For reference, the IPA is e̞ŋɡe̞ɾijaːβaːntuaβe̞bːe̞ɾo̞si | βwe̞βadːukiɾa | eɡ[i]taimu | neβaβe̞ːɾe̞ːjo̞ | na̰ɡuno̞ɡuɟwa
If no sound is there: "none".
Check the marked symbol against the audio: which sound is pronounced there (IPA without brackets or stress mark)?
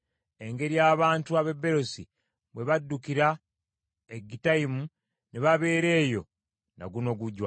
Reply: i